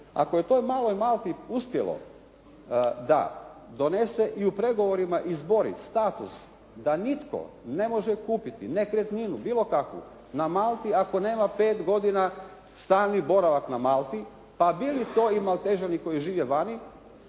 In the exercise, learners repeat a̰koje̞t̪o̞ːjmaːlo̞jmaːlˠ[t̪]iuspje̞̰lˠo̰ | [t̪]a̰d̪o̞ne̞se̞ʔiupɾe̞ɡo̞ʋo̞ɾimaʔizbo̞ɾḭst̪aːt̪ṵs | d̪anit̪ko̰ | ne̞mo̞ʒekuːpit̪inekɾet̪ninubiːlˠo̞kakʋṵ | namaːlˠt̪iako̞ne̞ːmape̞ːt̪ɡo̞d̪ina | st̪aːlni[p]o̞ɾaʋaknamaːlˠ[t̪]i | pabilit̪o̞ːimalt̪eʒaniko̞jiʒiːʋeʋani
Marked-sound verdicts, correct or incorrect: correct, incorrect: d̪, incorrect: b, correct

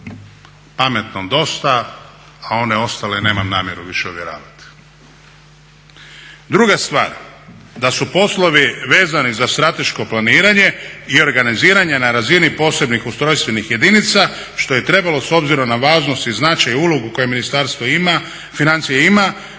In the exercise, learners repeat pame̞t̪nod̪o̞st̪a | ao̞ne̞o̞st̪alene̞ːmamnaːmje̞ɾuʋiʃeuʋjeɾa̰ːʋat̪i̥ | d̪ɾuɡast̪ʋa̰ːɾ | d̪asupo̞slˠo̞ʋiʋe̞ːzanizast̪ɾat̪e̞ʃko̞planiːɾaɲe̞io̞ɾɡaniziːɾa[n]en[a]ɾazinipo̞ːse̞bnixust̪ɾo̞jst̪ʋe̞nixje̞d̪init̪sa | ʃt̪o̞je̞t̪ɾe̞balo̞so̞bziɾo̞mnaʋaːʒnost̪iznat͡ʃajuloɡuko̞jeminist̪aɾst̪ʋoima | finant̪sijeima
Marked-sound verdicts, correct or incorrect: incorrect: ɲ, correct

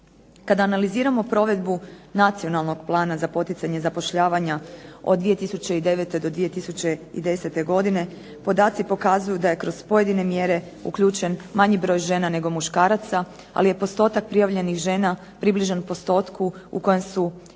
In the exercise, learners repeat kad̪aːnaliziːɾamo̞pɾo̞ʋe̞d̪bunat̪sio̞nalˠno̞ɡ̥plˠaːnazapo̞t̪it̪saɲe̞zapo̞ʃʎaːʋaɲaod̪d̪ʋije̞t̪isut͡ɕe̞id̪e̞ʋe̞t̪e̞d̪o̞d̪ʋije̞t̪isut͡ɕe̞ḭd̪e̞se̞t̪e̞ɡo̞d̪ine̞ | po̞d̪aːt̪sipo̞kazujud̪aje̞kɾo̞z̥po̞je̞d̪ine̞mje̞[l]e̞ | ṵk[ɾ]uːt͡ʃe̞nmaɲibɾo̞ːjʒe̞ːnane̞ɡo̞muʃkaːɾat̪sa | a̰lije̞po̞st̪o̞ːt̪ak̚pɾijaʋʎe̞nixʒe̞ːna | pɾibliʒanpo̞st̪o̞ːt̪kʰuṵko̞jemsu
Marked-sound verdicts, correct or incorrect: incorrect: ɾ, incorrect: ʎ

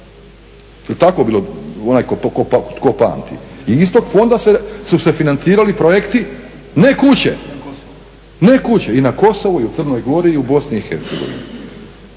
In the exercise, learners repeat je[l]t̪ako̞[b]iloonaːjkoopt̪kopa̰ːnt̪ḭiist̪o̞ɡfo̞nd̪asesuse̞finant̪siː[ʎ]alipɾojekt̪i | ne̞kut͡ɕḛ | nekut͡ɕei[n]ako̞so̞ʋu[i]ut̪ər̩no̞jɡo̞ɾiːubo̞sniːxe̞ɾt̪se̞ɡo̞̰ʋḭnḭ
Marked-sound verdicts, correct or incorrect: correct, correct, incorrect: ɾ, correct, correct

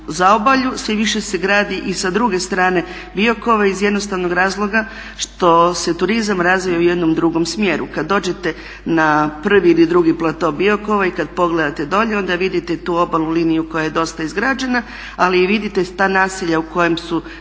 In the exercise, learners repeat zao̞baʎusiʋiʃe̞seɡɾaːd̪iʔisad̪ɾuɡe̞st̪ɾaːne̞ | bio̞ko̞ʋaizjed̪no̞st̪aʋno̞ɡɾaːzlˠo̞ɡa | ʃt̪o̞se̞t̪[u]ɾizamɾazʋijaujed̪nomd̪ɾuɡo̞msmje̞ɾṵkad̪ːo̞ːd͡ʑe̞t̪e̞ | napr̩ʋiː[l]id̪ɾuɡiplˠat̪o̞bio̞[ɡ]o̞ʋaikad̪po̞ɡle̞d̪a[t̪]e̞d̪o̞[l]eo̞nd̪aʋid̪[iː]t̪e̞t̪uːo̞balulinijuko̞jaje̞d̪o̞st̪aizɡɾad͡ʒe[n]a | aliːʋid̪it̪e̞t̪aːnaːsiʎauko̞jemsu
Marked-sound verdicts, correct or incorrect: correct, correct, incorrect: k, correct, incorrect: ʎ, incorrect: i, correct

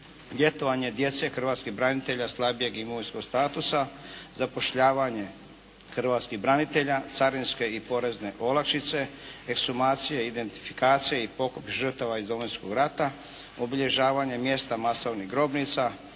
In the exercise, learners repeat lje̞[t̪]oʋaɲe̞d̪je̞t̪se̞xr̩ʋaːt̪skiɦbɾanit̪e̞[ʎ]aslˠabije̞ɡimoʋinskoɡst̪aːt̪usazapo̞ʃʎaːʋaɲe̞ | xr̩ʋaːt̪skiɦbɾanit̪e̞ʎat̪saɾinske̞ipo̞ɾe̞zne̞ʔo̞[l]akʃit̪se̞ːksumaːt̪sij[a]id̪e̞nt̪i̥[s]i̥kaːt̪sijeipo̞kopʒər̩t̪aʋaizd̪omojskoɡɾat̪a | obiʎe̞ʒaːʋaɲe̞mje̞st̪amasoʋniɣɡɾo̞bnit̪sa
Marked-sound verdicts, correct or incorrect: correct, correct, correct, incorrect: e, incorrect: f

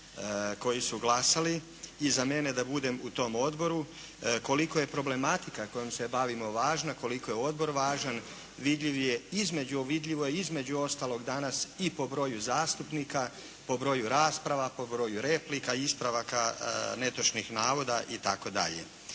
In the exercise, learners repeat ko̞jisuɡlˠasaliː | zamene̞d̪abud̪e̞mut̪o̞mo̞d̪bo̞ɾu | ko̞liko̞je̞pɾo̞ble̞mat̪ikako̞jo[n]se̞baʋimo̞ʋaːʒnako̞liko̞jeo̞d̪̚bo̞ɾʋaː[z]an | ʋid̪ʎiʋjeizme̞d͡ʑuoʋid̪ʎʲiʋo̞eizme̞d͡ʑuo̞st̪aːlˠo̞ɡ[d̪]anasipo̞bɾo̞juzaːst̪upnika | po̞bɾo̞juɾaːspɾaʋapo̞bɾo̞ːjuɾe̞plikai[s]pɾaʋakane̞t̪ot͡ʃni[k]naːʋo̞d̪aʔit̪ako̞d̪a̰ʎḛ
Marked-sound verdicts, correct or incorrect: incorrect: m, incorrect: ʒ, correct, correct, incorrect: x

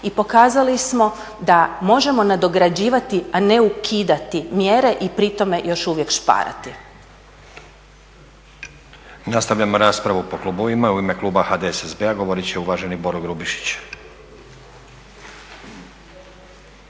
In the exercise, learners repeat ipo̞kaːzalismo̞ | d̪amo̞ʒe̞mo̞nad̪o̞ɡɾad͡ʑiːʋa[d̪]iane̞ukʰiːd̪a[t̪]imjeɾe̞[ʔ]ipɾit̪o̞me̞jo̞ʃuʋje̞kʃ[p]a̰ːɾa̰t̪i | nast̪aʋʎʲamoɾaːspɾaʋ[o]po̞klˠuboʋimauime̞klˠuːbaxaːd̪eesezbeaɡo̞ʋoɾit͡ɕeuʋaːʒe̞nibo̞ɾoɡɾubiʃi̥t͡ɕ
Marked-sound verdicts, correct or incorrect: incorrect: t̪, correct, correct, correct, incorrect: u

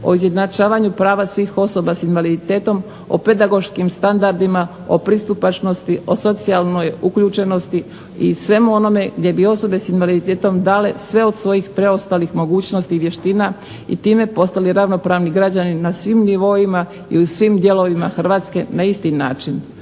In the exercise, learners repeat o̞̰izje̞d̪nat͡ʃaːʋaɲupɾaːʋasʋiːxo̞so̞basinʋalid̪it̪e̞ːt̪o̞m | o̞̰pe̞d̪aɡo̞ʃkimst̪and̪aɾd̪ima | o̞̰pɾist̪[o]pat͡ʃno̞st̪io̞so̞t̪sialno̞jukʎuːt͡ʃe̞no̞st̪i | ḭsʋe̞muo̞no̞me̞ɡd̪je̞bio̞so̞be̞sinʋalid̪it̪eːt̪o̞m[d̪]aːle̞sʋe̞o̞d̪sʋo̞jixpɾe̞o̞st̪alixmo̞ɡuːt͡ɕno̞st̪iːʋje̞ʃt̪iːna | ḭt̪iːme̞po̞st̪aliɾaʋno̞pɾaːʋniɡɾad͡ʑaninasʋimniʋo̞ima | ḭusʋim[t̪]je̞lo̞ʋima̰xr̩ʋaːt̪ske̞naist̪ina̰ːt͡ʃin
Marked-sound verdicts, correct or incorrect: incorrect: u, correct, incorrect: d̪

